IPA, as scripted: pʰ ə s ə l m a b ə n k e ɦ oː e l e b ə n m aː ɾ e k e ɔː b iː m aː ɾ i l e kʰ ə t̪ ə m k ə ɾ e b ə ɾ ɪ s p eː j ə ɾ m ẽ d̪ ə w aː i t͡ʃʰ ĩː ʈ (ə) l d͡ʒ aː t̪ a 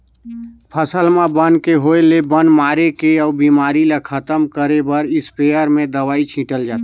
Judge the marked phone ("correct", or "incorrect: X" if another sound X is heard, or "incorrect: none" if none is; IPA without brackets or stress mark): correct